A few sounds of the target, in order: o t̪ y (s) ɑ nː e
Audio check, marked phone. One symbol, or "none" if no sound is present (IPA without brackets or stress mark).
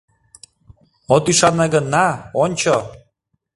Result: ʃ